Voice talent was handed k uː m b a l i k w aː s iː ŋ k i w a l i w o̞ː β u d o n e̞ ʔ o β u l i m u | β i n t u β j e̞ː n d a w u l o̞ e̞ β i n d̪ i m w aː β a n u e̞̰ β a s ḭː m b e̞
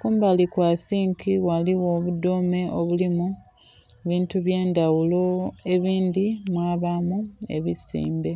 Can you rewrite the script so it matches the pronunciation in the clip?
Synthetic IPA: k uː m b a l i k w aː s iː ŋ k i w a l i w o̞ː β u d o m e̞ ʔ o β u l i m u | β iː n t u β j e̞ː n d a w u l o̞ e̞ β iː n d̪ i m w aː β a m u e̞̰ β i s ḭː m b e̞